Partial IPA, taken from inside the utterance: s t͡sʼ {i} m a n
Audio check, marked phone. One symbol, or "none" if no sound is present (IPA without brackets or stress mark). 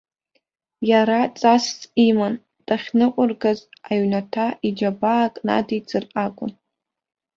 i